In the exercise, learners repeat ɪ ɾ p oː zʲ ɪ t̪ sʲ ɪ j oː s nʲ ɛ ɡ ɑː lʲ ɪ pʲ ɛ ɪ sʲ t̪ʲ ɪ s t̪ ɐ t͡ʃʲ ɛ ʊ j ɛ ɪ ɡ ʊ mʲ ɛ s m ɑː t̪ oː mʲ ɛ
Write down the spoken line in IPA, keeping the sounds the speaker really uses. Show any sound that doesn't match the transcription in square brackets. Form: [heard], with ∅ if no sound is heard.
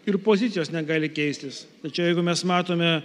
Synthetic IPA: ɪ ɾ p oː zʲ ɪ t̪ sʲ ɪ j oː s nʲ ɛ ɡ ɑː lʲ ɪ [kʲ] ɛ ɪ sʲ t̪ʲ ɪ s t̪ ɐ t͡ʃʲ ɛ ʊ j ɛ ɪ ɡ ʊ mʲ ɛ s m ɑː t̪ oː mʲ ɛ